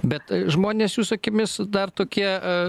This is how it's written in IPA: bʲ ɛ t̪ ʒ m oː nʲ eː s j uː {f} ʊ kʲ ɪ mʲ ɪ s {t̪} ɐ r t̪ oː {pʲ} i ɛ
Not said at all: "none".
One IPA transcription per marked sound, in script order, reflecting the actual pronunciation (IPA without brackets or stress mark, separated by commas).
s, d̪, kʲ